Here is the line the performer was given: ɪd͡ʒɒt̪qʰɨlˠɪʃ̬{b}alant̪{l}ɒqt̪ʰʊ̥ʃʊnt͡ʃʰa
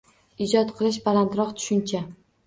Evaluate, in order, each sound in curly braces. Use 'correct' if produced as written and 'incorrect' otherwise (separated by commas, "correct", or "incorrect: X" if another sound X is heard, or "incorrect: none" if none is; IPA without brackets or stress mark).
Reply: correct, incorrect: ɾ